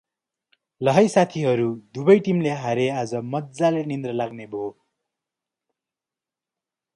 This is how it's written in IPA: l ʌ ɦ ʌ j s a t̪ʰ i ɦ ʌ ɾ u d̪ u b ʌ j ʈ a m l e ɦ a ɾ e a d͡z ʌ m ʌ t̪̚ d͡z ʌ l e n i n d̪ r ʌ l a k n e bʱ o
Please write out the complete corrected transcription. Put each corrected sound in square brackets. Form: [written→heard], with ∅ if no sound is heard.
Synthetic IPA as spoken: l ʌ ɦ ʌ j s a t̪ʰ i ɦ ʌ ɾ u d̪ u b ʌ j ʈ [a→i] m l e ɦ a ɾ e a d͡z ʌ m ʌ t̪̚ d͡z [ʌ→a] l e n i n d̪ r ʌ l a [k→ɡ] n e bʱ o